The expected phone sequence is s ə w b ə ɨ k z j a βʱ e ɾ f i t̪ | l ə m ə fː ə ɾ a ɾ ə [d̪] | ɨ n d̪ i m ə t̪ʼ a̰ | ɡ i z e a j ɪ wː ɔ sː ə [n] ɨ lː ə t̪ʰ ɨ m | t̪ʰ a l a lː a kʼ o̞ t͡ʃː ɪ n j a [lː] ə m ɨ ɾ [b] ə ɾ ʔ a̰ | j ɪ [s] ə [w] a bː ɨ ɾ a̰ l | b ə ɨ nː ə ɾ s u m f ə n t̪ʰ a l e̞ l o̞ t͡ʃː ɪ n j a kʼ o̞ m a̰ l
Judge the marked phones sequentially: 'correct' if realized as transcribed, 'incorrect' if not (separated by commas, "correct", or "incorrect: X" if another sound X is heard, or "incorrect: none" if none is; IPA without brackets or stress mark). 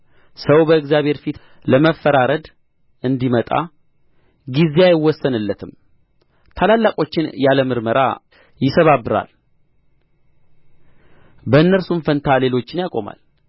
correct, correct, incorrect: l, incorrect: m, correct, incorrect: β